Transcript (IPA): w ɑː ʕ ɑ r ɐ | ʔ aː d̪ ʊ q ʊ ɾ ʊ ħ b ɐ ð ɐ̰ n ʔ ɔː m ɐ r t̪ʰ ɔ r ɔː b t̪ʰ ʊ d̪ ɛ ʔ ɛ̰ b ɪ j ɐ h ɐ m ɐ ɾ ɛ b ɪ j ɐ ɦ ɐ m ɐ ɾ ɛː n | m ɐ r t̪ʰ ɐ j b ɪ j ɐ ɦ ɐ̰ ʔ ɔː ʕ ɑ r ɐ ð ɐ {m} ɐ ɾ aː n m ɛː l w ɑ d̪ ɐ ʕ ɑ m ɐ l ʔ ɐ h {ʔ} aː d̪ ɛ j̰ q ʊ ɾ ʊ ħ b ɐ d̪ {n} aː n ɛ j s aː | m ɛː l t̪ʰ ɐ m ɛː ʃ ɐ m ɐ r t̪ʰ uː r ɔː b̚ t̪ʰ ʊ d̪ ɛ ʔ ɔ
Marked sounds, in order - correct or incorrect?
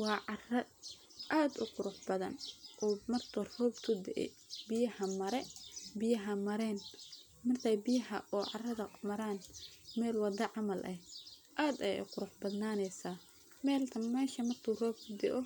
correct, correct, correct

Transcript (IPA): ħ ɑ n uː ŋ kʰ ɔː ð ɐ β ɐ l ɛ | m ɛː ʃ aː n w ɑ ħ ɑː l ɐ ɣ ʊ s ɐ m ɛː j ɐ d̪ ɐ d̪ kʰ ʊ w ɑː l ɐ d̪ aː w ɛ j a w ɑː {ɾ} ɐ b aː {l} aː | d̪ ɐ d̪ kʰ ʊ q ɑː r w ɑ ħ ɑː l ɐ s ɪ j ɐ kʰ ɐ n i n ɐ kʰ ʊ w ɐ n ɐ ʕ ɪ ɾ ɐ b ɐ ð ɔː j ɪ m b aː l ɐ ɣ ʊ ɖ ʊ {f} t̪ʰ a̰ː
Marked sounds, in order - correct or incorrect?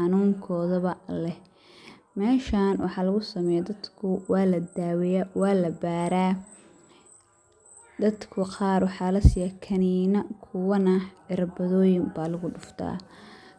incorrect, incorrect, correct

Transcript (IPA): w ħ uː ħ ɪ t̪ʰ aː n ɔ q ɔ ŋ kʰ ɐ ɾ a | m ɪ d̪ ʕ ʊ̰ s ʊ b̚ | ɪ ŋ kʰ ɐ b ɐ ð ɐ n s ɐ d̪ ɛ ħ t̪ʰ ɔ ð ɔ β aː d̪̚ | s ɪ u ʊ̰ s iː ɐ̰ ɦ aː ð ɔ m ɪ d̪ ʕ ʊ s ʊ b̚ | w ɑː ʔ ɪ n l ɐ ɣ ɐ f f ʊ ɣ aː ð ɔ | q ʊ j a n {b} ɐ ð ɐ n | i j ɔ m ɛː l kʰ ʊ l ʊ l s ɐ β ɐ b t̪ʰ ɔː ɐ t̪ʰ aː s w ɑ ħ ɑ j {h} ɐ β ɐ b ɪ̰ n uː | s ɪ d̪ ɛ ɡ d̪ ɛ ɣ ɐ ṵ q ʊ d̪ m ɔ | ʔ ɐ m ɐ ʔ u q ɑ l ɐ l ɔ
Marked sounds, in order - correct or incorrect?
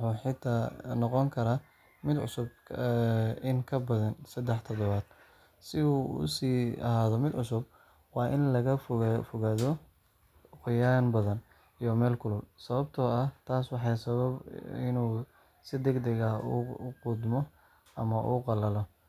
correct, incorrect

